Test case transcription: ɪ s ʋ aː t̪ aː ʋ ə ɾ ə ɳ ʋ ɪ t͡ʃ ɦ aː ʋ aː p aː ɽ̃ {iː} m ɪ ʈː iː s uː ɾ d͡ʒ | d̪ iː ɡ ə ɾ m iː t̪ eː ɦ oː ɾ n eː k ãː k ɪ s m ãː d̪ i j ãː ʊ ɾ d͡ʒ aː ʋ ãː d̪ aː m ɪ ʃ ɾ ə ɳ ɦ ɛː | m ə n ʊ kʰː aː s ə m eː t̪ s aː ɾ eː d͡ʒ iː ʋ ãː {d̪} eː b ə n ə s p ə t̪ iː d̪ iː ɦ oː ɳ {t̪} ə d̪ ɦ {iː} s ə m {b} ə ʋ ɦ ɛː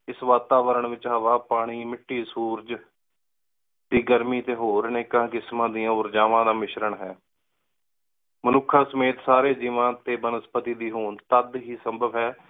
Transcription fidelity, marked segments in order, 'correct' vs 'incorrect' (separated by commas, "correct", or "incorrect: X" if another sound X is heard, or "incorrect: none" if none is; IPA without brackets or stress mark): correct, incorrect: t̪, correct, correct, correct